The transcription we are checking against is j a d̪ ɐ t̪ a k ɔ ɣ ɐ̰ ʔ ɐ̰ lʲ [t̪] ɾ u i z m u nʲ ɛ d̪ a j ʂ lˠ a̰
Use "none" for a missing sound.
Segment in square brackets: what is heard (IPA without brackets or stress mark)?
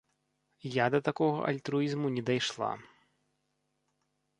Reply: t̪